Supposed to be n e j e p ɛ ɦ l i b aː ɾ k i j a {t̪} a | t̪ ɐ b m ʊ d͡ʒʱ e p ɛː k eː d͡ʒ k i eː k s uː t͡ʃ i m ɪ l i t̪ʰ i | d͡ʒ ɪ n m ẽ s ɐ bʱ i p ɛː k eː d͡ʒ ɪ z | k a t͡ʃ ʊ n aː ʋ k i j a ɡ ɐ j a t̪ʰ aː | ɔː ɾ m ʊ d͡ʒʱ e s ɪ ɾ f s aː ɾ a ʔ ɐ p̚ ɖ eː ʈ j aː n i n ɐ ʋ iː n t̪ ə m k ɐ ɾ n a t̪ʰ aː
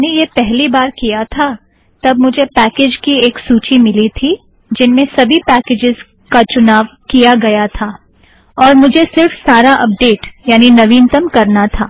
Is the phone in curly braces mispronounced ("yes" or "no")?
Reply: yes